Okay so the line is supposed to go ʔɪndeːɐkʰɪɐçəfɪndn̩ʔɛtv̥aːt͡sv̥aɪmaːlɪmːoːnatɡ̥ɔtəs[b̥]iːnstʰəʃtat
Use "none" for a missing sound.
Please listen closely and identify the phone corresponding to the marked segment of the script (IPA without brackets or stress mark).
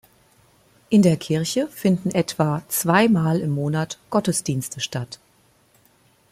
d̥